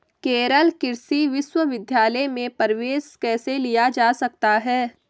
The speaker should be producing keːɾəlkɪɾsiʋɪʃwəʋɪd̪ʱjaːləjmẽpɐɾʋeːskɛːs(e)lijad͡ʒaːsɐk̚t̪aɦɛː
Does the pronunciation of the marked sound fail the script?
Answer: no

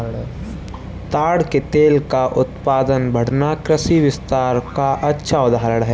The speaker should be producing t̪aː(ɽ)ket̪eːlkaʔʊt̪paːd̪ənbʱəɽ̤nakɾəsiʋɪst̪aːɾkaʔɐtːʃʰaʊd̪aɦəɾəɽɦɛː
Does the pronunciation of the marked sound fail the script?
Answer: no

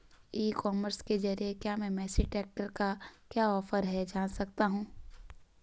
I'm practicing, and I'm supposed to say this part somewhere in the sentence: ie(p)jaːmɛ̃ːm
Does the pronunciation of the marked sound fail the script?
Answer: yes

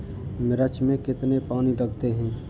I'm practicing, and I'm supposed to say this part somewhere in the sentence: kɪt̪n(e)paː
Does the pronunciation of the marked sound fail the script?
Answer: no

